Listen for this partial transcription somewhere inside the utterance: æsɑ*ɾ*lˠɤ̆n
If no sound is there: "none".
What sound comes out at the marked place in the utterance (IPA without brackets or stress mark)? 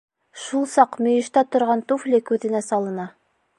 none